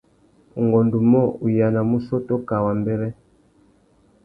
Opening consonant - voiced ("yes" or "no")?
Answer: yes